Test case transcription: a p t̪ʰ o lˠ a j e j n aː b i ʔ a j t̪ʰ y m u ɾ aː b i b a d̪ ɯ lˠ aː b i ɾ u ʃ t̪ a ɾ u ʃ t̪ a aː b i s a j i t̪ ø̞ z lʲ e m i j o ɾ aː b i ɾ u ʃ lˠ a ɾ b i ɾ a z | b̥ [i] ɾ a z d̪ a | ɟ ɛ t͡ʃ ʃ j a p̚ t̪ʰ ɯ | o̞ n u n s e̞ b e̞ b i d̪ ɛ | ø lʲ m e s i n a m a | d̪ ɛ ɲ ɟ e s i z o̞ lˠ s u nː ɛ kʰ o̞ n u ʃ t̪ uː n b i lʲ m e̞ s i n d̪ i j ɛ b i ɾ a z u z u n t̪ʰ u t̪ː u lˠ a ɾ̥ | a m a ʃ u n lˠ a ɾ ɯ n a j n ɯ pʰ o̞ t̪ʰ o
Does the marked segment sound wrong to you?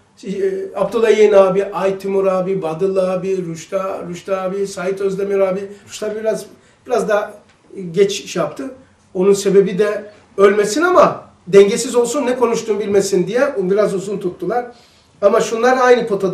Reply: no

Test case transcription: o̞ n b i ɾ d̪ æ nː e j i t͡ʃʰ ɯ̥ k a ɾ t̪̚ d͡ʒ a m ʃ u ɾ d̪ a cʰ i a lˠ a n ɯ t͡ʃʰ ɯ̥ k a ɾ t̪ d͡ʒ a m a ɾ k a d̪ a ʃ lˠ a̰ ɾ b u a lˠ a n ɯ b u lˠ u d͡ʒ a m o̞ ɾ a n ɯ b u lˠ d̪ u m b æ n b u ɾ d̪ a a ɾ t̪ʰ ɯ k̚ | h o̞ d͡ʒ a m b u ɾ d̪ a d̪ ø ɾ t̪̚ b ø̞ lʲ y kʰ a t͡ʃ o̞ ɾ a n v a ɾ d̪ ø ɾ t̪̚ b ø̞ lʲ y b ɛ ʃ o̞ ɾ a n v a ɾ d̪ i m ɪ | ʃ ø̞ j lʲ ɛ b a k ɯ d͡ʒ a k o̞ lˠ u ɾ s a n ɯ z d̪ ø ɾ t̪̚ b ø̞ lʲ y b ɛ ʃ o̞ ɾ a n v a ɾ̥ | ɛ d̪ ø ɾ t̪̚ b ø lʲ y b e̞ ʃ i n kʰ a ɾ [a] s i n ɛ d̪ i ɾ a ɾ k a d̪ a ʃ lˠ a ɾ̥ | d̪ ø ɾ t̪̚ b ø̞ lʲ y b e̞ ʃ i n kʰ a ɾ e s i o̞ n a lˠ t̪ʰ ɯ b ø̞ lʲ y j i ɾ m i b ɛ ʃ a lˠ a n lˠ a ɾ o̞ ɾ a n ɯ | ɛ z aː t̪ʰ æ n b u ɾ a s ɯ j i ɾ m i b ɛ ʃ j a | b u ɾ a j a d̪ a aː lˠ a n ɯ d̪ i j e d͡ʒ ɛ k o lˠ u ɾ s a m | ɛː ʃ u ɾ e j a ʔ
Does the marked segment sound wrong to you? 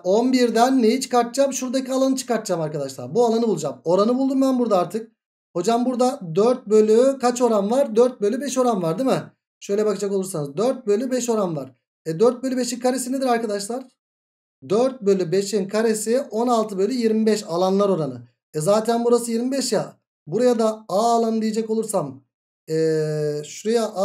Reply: yes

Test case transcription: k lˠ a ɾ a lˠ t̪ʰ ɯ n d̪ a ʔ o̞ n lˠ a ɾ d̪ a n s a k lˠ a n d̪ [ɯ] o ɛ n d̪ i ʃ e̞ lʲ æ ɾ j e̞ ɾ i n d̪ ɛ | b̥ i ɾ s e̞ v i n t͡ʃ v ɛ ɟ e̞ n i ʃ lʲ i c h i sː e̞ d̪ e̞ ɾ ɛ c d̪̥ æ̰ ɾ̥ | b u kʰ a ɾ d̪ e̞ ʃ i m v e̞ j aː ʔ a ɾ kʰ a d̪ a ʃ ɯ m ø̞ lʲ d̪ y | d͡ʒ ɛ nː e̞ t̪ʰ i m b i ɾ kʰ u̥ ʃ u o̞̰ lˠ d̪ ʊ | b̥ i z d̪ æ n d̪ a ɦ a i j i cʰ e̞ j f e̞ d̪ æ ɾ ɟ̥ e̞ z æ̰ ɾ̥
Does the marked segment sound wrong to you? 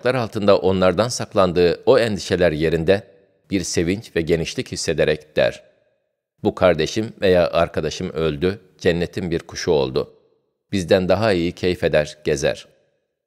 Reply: yes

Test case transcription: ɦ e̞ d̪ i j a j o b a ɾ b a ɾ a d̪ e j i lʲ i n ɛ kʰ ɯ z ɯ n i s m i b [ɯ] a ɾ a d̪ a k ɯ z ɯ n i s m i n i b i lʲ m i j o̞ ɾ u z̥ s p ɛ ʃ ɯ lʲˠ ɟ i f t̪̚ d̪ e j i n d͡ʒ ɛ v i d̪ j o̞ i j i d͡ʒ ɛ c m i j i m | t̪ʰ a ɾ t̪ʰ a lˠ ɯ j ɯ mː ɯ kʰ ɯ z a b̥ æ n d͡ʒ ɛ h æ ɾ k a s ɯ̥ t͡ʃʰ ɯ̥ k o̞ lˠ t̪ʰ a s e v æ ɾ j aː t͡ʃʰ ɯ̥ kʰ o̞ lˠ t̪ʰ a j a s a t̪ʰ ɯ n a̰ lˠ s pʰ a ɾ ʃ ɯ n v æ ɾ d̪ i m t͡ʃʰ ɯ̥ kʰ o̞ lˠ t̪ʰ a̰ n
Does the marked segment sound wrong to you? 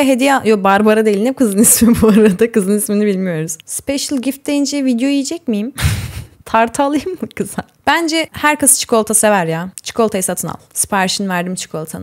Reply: yes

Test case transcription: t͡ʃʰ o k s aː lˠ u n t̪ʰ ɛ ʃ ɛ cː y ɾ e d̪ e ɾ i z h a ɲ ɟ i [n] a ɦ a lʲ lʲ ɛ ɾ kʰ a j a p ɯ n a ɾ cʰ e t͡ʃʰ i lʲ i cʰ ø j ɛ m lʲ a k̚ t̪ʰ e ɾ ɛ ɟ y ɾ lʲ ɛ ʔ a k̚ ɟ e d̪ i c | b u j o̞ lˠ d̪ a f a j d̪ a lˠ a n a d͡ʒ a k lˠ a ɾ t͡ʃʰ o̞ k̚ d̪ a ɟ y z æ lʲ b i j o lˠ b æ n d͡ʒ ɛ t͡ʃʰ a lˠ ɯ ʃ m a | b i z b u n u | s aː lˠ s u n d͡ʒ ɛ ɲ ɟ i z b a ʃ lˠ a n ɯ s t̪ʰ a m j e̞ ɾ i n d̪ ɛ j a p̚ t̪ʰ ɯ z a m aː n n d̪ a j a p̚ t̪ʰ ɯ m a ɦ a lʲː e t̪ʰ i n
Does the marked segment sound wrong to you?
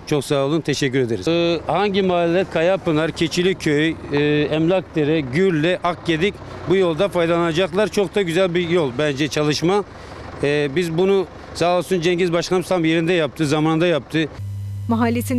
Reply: yes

